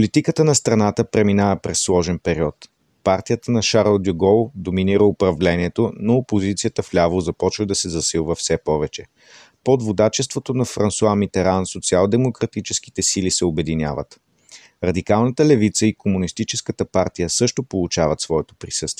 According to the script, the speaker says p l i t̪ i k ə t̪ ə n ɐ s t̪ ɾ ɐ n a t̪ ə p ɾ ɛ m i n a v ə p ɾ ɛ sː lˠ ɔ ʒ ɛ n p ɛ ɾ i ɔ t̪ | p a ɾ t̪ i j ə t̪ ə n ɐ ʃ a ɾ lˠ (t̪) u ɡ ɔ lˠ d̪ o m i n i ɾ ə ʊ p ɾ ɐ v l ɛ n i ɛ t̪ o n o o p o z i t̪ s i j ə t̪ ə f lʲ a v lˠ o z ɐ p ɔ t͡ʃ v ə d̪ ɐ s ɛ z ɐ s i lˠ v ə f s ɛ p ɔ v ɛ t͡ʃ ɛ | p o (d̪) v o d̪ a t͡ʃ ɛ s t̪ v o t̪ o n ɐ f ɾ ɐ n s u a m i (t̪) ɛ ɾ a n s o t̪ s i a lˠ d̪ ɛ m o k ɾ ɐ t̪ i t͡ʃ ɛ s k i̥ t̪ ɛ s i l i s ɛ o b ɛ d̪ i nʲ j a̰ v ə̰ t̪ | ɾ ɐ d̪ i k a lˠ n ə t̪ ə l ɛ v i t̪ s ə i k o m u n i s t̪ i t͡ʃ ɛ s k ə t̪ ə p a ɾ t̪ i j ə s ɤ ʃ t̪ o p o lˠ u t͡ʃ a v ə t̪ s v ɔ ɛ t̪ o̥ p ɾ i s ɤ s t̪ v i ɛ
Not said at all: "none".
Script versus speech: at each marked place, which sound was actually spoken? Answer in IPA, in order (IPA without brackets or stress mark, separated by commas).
d̪, d̪, t̪